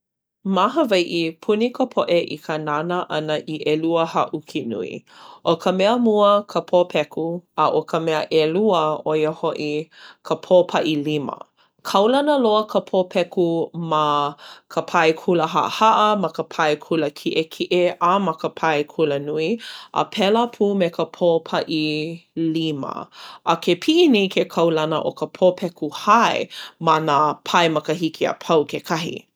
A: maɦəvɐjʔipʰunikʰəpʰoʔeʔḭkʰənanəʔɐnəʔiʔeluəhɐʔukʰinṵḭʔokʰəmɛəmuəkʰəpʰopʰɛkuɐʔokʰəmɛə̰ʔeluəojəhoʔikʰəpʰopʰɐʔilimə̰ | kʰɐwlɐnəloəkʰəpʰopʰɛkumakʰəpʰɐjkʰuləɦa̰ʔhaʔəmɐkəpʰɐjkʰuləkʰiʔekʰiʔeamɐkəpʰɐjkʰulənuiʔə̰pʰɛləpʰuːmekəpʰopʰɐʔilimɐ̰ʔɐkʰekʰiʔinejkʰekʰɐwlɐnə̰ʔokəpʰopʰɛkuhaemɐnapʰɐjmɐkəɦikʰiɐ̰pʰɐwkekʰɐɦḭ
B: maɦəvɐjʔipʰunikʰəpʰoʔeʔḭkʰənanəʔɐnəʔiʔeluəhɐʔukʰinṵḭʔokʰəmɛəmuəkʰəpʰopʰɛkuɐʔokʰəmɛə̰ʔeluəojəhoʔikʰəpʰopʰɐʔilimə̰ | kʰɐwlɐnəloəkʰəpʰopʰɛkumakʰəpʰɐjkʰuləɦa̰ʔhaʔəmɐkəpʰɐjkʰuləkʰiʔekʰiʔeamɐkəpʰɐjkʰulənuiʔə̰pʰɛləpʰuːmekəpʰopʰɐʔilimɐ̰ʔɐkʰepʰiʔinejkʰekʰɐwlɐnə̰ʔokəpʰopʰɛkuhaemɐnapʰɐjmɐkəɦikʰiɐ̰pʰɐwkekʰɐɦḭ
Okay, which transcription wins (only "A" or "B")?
B